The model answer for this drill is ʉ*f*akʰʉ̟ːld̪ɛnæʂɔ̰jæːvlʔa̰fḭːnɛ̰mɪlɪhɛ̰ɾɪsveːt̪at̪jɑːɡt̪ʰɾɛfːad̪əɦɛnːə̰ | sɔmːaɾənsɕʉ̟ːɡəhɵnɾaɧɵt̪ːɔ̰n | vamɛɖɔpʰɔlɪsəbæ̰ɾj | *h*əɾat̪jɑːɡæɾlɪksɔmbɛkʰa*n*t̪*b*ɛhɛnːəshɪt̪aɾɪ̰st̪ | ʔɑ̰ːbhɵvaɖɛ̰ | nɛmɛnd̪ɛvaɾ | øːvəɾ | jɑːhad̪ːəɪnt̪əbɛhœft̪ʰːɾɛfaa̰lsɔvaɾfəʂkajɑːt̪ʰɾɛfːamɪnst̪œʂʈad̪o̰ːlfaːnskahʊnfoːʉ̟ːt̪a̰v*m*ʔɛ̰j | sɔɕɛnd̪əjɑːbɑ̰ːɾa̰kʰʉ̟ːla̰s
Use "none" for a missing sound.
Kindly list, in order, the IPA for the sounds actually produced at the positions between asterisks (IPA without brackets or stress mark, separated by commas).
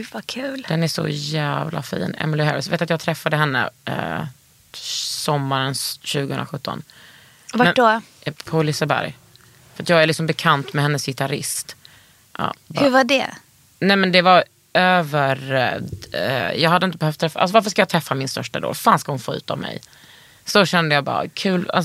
v, f, n, m, m